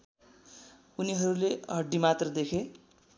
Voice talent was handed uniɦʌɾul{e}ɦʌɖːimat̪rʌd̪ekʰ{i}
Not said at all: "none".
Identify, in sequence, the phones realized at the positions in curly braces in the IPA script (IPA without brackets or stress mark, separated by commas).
e, e